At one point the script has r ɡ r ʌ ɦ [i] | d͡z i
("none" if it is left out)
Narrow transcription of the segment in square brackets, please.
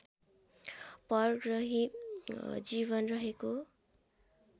i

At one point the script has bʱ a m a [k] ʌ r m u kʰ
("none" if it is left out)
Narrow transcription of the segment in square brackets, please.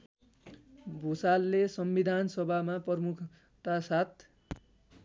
p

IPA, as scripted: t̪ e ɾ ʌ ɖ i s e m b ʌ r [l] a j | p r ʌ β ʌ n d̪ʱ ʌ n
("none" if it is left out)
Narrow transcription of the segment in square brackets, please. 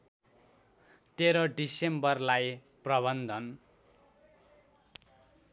l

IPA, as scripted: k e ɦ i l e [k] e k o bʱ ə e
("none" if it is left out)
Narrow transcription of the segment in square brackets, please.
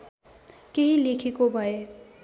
kʰ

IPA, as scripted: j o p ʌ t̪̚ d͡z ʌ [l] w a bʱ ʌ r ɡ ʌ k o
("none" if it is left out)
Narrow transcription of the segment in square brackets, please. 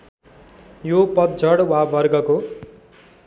ɽ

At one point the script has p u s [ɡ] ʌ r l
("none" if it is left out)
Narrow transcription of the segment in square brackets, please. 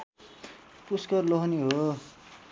k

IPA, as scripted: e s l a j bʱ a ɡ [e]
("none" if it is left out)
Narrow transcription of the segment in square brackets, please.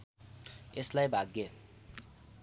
e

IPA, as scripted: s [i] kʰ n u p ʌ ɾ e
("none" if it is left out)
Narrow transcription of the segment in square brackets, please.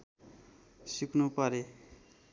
i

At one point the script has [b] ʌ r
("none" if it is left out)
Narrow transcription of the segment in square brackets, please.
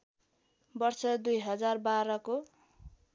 b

